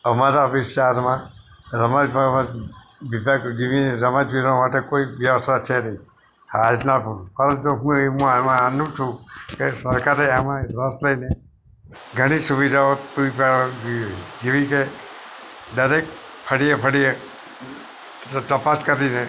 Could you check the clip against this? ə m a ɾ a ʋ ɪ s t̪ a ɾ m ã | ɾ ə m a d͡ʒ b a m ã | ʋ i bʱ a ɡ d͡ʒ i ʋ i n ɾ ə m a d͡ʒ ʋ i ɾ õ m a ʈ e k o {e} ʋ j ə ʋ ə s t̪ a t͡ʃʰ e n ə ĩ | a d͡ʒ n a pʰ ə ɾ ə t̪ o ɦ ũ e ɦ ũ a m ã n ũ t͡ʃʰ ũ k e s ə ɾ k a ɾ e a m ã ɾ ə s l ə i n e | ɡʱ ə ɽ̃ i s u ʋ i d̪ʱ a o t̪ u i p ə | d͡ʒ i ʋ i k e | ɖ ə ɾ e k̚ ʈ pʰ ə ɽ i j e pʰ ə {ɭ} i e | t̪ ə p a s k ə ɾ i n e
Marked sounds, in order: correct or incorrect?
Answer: incorrect, incorrect

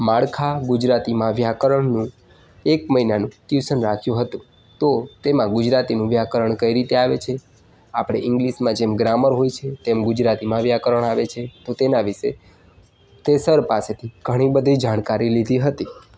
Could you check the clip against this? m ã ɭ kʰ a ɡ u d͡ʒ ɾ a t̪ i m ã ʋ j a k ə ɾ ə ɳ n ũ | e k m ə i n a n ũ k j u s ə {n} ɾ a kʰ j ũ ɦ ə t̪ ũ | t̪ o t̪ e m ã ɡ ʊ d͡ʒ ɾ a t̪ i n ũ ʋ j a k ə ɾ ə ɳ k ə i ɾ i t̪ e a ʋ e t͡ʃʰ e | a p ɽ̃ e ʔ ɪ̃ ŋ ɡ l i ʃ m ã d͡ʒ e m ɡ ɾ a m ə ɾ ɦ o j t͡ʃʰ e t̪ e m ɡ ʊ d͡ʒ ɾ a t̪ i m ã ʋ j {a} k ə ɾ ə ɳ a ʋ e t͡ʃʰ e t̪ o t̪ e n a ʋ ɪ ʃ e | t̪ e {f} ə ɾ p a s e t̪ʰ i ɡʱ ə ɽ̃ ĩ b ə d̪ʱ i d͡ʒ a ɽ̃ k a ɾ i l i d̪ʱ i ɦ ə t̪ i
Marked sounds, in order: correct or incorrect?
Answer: correct, correct, incorrect

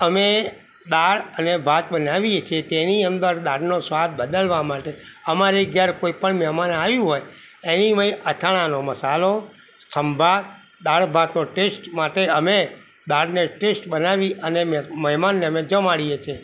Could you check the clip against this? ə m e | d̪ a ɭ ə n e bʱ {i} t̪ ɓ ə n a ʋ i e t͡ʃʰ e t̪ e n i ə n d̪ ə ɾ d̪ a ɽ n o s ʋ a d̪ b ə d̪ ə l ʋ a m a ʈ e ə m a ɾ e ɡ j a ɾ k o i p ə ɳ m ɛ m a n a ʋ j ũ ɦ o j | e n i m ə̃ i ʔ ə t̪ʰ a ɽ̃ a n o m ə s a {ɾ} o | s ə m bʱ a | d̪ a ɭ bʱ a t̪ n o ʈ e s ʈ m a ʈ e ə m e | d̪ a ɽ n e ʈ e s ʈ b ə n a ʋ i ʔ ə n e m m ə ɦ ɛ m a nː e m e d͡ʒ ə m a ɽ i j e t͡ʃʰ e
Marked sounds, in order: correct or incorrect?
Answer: incorrect, incorrect

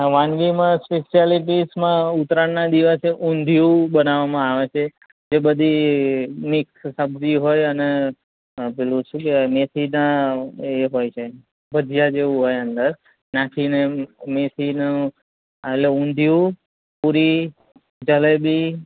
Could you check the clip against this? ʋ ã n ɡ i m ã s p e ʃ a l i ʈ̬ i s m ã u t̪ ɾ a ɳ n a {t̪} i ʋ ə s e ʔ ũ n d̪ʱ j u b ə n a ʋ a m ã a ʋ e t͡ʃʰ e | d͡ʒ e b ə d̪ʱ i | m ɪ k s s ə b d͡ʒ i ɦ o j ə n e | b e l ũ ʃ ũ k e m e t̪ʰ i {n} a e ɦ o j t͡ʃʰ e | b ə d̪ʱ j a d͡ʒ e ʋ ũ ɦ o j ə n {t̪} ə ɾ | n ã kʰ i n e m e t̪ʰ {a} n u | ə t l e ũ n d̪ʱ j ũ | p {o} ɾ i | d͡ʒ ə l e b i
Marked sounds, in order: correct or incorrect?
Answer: incorrect, correct, incorrect, incorrect, incorrect

